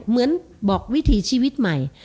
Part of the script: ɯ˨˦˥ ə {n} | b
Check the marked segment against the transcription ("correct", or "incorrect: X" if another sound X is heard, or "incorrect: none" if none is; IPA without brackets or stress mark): correct